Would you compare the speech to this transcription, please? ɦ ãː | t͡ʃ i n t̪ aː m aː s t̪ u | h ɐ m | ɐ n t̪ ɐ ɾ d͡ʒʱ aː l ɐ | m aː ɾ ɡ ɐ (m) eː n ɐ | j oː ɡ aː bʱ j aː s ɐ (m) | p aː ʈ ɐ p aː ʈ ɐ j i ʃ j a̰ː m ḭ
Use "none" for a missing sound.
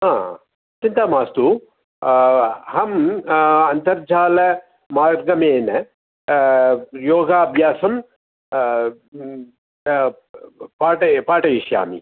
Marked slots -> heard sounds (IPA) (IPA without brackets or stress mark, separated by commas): m, m